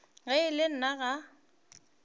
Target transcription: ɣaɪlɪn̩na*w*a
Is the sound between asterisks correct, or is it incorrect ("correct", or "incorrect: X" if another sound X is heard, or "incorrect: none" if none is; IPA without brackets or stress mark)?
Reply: incorrect: ɣ